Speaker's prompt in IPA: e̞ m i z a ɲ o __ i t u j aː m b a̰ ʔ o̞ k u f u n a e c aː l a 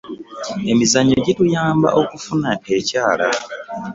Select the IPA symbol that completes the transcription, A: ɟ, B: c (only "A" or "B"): A